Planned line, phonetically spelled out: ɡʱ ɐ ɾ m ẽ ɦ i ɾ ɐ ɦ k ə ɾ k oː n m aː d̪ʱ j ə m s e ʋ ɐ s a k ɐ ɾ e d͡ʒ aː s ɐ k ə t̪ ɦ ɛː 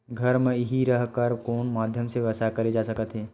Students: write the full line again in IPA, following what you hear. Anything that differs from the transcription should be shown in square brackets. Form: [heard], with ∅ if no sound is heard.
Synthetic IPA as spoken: ɡʱ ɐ ɾ m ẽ ɦ i ɾ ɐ ɦ k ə ɾ k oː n m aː d̪ʱ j ə m s e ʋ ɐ s a k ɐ ɾ e d͡ʒ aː s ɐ k ə t̪ ɦ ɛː